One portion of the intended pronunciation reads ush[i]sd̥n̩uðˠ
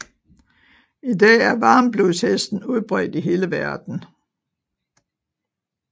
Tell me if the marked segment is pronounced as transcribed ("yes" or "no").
no